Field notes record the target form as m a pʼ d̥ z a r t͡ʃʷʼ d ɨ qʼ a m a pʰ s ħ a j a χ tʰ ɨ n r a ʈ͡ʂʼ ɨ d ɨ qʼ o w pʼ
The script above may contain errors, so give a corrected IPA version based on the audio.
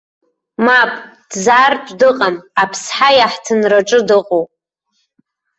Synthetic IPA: m a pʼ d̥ z a r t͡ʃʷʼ d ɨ qʼ a m a pʰ s ħ a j a ħ tʰ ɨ n r a ʈ͡ʂʼ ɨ d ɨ qʼ o w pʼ